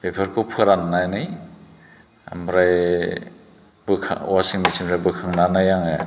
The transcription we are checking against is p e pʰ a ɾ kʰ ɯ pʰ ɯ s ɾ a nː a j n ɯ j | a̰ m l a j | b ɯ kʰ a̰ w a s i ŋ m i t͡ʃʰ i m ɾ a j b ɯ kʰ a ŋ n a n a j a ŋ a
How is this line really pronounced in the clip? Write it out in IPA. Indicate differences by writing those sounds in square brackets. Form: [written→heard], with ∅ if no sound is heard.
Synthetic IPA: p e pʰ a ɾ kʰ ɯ pʰ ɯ [s→∅] ɾ a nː a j n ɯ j | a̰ m [l→ɾ] a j | b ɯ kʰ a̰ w a s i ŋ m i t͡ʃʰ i m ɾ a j b ɯ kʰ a ŋ n a n a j a ŋ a

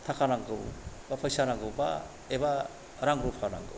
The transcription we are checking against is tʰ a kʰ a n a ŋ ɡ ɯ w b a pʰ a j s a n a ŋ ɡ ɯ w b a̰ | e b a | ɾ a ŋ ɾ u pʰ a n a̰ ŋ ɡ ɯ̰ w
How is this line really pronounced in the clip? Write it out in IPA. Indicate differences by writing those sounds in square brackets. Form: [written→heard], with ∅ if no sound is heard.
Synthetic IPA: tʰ a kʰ a n a ŋ ɡ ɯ w b a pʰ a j s a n a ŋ ɡ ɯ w b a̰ | e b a | ɾ a ŋ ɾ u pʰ a n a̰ ŋ ɡ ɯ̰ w

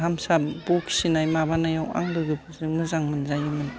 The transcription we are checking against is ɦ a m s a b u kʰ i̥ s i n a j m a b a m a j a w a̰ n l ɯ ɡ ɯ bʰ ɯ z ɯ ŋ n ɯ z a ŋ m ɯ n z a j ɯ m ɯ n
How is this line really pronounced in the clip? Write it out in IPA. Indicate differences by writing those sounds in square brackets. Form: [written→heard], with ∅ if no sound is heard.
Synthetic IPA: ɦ a m s a b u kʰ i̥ s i n a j m a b a [m→n] a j a w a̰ [n→ŋ] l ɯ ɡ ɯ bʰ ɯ z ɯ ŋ [n→m] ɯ z a ŋ m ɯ n z a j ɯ m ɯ n

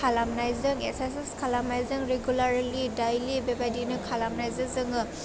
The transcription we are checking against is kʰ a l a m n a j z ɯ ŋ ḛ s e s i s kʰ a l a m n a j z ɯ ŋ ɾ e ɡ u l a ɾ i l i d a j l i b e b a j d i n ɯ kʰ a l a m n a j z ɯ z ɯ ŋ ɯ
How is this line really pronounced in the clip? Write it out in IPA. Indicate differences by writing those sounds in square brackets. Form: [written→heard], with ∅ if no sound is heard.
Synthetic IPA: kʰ a l a m n a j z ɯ ŋ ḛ s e s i s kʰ a l a m n a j z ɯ ŋ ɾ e ɡ u l a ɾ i l i d a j l i b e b a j d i n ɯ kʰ a l a m n a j z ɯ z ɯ ŋ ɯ

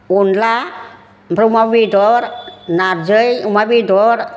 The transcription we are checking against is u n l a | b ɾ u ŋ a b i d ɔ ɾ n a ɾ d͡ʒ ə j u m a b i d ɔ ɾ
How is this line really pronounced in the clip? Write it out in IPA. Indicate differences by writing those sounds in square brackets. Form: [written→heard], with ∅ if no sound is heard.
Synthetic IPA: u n l a | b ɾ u [ŋ→m] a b i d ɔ ɾ n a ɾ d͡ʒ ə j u m a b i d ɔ ɾ

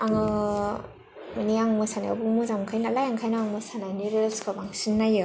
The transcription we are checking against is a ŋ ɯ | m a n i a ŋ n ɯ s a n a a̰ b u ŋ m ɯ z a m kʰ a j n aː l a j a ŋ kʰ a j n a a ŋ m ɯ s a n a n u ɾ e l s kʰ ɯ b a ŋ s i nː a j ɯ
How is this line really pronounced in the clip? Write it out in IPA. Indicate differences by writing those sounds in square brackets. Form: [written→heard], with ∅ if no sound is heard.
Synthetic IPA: a ŋ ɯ | m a n i a ŋ [n→m] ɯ s a n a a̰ b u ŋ m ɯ z a m kʰ a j n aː l a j a ŋ kʰ a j n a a ŋ m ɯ s a n a n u ɾ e l s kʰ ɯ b a ŋ s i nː a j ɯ

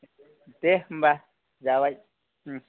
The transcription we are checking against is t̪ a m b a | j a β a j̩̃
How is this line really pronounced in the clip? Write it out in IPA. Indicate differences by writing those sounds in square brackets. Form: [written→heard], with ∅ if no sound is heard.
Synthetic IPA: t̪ [a→e] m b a | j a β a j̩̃

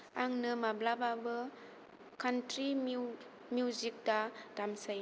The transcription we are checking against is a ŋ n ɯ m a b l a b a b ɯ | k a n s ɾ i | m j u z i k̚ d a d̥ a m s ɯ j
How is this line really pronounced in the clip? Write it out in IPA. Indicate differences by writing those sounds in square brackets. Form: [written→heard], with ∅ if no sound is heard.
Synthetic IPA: a ŋ n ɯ m a b l a b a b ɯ | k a n [s→t] ɾ i | m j u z i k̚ d a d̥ a m s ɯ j

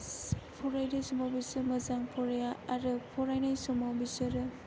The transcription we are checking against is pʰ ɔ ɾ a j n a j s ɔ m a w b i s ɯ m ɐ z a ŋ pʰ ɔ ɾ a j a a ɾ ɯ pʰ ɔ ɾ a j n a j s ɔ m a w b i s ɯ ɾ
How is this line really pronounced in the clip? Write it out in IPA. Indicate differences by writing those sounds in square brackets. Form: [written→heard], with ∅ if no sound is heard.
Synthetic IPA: pʰ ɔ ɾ a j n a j s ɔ m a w b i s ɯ m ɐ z a ŋ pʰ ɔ ɾ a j a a ɾ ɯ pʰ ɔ ɾ a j n a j s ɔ m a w b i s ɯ ɾ

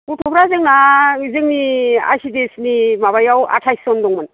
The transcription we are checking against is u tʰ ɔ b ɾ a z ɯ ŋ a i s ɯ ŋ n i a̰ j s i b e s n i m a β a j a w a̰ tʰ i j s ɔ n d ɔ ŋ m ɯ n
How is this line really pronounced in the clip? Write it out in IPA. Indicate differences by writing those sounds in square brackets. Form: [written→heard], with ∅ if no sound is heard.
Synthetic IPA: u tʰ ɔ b ɾ a z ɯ ŋ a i [s→z] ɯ ŋ n i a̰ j s i [b→d] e s n i m a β a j a w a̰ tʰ [i→a] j s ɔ n d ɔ ŋ m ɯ n

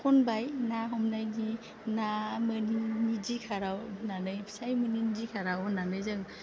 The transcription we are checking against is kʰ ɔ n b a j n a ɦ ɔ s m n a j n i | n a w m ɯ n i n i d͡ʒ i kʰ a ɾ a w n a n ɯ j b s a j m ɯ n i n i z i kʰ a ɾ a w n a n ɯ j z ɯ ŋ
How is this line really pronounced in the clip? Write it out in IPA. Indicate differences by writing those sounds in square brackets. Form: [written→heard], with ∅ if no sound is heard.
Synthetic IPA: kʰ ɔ n b a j n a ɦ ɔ [s→∅] m n a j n i | n a [w→∅] m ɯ n i n i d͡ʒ i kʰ a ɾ a w n a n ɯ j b s a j m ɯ n i n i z i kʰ a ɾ a w n a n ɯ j z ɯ ŋ

